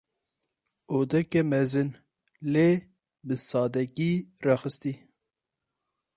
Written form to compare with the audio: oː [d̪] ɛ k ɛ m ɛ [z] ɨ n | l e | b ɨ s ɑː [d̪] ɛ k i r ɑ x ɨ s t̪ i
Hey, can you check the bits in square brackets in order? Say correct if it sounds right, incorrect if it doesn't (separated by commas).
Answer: correct, correct, correct